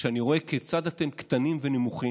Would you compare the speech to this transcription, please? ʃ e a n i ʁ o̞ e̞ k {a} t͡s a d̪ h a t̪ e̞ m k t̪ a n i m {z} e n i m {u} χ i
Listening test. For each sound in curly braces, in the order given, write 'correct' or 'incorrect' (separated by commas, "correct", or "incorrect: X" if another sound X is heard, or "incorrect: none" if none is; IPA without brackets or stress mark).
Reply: incorrect: e, incorrect: v, correct